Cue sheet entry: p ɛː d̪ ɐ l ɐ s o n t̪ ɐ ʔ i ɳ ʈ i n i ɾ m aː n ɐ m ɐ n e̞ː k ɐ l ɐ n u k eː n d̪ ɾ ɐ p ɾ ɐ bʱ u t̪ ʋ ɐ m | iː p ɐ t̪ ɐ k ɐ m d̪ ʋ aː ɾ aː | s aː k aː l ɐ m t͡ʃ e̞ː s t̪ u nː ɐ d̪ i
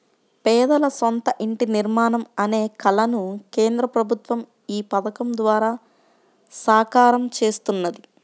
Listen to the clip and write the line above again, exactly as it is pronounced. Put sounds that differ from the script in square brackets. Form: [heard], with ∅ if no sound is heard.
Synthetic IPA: p ɛː d̪ ɐ l ɐ s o n t̪ ɐ ʔ i ɳ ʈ i n i ɾ m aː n ɐ m ɐ n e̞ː k ɐ l ɐ n u k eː n d̪ ɾ ɐ p ɾ ɐ bʱ u t̪ ʋ ɐ m | iː p ɐ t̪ ɐ k ɐ m d̪ ʋ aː ɾ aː | s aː k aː [ɾ] ɐ m t͡ʃ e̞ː s t̪ u nː ɐ d̪ i

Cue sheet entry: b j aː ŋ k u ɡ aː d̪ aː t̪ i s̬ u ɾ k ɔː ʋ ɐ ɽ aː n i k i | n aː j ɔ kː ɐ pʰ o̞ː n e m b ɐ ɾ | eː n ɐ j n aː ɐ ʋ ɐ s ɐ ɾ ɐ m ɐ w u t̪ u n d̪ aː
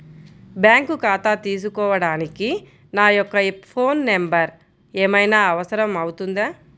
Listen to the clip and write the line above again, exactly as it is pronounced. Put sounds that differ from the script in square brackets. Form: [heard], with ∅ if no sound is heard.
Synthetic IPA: b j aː ŋ k u [k] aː [t̪] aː t̪ [iː] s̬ u [∅] k ɔː ʋ ɐ ɽ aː n i k i | n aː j ɔ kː ɐ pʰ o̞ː [nː] e m b ɐ ɾ | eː [m] ɐ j n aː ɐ ʋ ɐ s ɐ ɾ ɐ m ɐ w u t̪ u n d̪ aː

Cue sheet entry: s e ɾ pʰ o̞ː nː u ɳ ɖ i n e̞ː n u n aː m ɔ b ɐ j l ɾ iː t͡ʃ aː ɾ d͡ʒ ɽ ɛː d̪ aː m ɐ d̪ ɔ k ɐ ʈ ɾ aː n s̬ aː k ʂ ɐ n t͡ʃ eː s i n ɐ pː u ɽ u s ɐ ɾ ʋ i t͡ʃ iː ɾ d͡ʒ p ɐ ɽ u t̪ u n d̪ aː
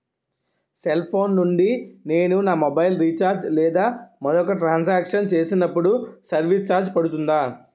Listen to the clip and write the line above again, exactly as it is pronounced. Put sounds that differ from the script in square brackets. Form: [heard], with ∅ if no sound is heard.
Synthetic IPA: s e [l] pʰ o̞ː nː u ɳ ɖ i n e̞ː n u n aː m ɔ b ɐ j l ɾ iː t͡ʃ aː ɾ d͡ʒ [l] ɛː d̪ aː m ɐ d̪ ɔ k ɐ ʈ ɾ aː n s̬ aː k ʂ ɐ n t͡ʃ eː s i n ɐ pː u ɽ u s ɐ ɾ ʋ i t͡ʃ [aː] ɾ d͡ʒ p ɐ ɽ u t̪ u n d̪ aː

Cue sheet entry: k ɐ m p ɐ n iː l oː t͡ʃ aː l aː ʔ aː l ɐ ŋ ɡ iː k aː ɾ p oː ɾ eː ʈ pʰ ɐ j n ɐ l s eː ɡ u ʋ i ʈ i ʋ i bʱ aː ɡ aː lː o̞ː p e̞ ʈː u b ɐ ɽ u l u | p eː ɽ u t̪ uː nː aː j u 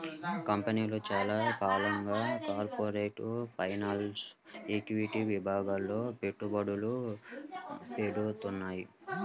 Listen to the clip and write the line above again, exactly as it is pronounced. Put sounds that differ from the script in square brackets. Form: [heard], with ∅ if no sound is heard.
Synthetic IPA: k ɐ m p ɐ n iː l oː t͡ʃ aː l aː [k] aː l ɐ ŋ ɡ [aː] k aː ɾ p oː ɾ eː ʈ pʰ ɐ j n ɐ l s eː [k] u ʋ i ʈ i ʋ i bʱ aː ɡ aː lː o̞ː p e̞ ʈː u b ɐ ɽ u l u | p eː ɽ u t̪ [u] nː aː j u

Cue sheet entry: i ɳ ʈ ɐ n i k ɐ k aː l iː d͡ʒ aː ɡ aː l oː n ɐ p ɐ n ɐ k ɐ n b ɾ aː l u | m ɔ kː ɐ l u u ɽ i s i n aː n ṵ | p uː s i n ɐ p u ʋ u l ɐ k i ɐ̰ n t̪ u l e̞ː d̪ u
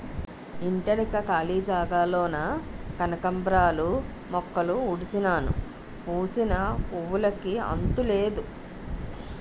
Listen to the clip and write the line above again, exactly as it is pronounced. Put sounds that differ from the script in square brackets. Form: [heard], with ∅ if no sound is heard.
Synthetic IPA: i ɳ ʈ ɐ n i k ɐ k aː l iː d͡ʒ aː ɡ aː l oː n ɐ [k] ɐ n ɐ k ɐ [m] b ɾ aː l u | m ɔ kː ɐ l u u ɽ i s i n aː n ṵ | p uː s i n ɐ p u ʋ u l ɐ k i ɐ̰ n t̪ u l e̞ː d̪ u

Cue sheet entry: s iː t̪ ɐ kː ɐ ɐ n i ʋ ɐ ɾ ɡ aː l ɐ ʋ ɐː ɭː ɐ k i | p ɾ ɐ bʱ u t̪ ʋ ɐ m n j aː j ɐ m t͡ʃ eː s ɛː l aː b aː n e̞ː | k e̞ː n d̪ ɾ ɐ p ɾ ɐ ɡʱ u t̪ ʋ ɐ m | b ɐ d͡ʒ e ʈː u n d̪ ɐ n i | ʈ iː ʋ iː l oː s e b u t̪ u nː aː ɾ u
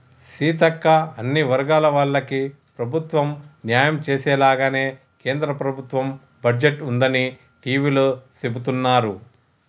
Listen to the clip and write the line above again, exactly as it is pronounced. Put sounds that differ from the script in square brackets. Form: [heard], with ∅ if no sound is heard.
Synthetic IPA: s iː t̪ ɐ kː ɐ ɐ [nː] i ʋ ɐ ɾ ɡ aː l ɐ ʋ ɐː ɭː ɐ k i | p ɾ ɐ bʱ u t̪ ʋ ɐ m n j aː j ɐ m t͡ʃ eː s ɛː l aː [ɡ] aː n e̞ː | k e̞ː n d̪ ɾ ɐ p ɾ ɐ [bʱ] u t̪ ʋ ɐ m | b ɐ d͡ʒ e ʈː u n d̪ ɐ n i | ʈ iː ʋ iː l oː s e b u t̪ u nː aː ɾ u

